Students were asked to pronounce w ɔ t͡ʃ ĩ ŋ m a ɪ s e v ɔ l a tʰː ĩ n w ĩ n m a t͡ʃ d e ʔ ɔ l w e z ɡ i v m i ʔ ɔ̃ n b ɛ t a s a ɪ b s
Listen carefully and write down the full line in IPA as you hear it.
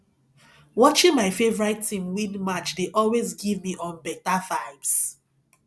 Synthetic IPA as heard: w ɔ t͡ʃ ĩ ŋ m a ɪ f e v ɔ ɹ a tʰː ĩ m w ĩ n m a t͡ʃ d e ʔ ɔ l w e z ɡ i v m i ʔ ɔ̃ n b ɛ t a f a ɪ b s